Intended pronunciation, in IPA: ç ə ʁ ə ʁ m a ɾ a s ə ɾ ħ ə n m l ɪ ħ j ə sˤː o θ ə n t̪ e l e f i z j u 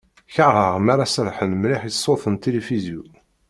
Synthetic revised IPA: ç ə ʁ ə ʁ m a ɾ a s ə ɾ ħ ə n m l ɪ ħ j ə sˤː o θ ə n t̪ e l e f i z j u